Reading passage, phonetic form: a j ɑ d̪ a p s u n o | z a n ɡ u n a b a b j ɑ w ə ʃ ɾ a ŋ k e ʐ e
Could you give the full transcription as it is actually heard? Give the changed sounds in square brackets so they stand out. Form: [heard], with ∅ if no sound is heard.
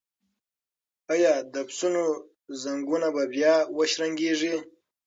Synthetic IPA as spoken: a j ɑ d̪ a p s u n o | z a [ŋ] ɡ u n a b a b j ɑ w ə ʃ ɾ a ŋ [ɡ] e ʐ [i]